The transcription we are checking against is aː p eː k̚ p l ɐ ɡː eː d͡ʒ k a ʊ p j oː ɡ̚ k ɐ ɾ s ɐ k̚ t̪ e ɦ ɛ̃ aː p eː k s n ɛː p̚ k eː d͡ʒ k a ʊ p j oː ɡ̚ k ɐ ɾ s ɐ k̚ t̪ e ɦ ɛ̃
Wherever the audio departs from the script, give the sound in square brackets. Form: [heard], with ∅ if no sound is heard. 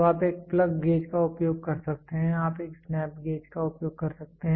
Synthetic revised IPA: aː p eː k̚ p l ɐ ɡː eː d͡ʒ k a ʊ p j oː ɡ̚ k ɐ ɾ s ɐ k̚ t̪ e ɦ ɛ̃ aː p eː k s n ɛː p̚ [ɡ] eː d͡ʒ k a ʊ p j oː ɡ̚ k ɐ ɾ s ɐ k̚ t̪ e ɦ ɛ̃